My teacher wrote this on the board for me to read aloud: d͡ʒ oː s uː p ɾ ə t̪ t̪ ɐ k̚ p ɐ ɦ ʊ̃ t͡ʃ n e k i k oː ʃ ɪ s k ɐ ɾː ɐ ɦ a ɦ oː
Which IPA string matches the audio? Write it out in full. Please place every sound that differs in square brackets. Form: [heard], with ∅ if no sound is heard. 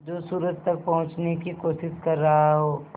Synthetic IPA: d͡ʒ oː s uː [∅] ɾ ə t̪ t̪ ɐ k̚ p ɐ ɦ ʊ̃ t͡ʃ n e k i k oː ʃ ɪ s k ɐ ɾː ɐ ɦ a ɦ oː